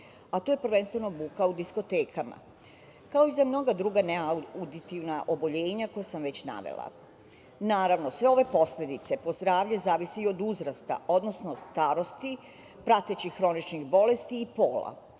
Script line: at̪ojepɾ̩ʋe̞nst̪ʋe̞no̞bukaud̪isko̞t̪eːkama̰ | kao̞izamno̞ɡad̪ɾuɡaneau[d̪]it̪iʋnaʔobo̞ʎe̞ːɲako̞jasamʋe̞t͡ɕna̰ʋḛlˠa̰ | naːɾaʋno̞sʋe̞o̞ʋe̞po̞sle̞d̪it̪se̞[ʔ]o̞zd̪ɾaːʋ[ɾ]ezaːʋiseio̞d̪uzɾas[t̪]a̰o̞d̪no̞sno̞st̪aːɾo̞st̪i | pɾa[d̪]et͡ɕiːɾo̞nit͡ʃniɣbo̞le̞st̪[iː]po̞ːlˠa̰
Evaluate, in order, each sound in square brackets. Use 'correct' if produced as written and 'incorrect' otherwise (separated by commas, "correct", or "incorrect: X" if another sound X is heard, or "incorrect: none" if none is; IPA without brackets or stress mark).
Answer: correct, incorrect: p, incorrect: ʎ, correct, incorrect: t̪, correct